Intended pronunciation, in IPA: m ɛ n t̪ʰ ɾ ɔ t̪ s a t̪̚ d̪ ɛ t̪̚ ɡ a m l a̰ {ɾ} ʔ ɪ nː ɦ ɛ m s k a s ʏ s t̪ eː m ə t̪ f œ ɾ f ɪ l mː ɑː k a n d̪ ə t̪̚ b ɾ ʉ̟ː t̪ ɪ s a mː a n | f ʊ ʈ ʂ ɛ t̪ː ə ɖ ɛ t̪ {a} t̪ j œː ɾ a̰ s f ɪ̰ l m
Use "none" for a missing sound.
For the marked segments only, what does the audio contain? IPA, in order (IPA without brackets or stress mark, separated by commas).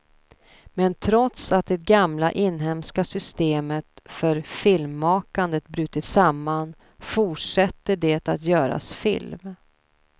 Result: none, a